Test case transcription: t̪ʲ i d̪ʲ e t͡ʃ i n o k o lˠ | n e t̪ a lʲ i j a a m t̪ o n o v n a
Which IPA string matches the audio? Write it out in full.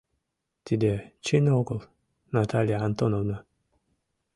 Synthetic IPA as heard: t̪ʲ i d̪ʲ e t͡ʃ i n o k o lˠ | n a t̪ a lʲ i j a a n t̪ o n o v n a

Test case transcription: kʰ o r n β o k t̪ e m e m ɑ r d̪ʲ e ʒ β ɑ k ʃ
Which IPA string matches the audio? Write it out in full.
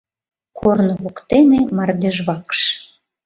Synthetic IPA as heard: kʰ o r n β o k t̪ e n e m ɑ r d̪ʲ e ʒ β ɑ k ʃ

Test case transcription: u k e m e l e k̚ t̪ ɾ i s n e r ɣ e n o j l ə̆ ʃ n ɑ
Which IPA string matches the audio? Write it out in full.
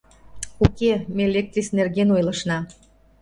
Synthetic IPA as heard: u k e m e l e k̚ t̪ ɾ i s n e r ɣ e n o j l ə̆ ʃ n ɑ

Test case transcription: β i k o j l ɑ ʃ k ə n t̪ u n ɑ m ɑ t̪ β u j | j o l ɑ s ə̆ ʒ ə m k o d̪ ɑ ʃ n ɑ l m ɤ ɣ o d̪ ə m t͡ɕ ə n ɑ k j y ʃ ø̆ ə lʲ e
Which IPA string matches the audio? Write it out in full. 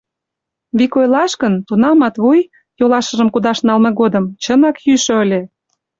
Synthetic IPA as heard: β i k o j l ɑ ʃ k ə n t̪ u n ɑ m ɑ t̪ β u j | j o l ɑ ʃ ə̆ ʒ ə m k u d̪ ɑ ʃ n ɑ l m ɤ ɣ o d̪ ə m t͡ɕ ə n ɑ k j y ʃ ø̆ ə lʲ e

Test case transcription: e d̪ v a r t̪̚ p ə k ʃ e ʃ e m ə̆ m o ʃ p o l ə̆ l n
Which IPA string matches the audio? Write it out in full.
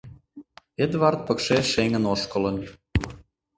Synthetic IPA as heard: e d̪ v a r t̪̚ p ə k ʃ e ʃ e ŋ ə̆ n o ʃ k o l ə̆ n

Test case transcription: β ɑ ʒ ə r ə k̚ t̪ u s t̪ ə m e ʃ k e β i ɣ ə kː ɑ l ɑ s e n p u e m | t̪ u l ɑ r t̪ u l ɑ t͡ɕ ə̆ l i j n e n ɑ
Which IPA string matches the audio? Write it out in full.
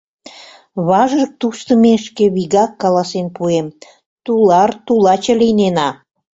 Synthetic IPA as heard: β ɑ ʒ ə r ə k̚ t̪ u s t̪ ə m e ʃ k e β i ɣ ɑ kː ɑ l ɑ s e n p u e m | t̪ u l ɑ r t̪ u l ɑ t͡ɕ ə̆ l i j n e n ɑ

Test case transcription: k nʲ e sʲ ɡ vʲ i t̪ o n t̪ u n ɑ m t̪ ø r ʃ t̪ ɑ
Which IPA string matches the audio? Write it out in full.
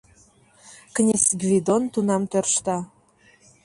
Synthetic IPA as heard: k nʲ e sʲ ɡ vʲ i d̪ o n t̪ u n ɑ m t̪ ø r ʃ t̪ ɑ

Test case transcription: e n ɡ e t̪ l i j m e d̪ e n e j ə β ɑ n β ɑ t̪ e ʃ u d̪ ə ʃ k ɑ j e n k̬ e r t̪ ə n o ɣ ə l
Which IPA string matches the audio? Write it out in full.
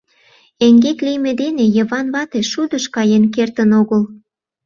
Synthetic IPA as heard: e ŋ ɡ e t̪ l i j m e d̪ e n e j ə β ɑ n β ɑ t̪ e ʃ u d̪ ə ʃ k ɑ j e n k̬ e r t̪ ə n o ɣ ə l

